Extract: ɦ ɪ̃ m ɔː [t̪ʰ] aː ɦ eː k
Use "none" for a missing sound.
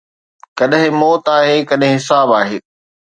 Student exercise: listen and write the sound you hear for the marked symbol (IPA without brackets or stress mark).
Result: t̪